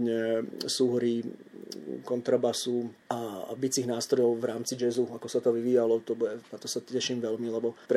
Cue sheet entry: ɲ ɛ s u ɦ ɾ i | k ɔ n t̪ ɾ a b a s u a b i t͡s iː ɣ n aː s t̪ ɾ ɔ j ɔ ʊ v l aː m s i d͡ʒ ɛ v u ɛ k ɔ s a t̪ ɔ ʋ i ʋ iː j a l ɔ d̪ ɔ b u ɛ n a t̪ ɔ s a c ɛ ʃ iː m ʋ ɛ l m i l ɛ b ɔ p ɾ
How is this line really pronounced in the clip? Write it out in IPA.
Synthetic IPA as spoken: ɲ ɛ s u ɦ ɾ i | k ɔ n t̪ ɾ a b a s u a b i t͡s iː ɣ n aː s t̪ ɾ ɔ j ɔ ʊ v ɾ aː m t͡s i d͡ʒ ɛ z u a k ɔ s a t̪ ɔ ʋ i ʋ iː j a l ɔ t̪ ɔ b u ɛ n a t̪ ɔ s a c ɛ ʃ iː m ʋ ɛ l m i l ɛ b ɔ p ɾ